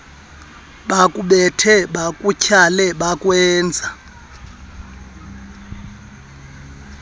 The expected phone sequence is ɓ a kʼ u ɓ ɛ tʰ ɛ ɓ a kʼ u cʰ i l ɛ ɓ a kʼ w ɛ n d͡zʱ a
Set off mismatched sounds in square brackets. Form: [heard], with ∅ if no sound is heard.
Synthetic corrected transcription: ɓ a kʼ u ɓ ɛ tʰ ɛ ɓ a kʼ u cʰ [a] l ɛ ɓ a kʼ w [ɛː] n d͡zʱ a